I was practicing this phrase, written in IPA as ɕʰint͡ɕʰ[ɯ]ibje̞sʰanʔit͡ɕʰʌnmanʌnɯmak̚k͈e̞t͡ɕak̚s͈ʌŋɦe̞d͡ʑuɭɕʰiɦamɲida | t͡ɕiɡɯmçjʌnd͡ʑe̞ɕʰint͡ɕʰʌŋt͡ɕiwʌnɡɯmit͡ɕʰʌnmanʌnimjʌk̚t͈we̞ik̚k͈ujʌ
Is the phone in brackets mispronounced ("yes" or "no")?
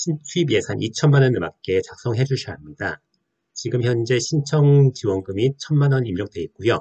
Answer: yes